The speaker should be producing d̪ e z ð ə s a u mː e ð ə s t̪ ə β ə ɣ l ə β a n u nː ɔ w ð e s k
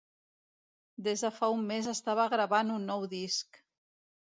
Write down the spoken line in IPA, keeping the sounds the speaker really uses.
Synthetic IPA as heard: d̪ e z ð ə f a u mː e z ə s t̪ a β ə ɣ ɾ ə β a n u nː ɔ w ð i s k